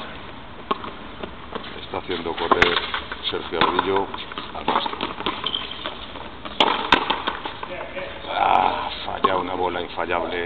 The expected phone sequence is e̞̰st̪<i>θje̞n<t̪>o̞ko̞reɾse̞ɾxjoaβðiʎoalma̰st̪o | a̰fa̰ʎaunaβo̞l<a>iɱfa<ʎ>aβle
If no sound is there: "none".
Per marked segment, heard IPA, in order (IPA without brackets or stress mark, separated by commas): a, d̪, a, ʎ